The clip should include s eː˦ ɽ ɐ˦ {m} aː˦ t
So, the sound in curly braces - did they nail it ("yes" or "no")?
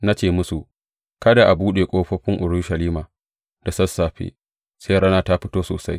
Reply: no